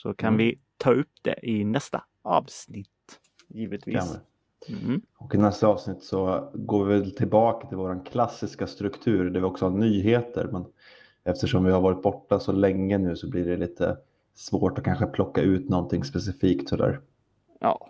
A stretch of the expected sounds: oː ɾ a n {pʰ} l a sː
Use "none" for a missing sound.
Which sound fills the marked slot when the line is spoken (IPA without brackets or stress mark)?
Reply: kʰ